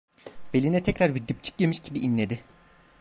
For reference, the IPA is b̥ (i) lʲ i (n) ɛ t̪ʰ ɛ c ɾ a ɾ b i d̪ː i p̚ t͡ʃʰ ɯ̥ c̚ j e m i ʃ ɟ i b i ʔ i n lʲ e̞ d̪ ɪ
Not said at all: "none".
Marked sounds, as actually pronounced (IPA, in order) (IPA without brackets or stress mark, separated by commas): e, n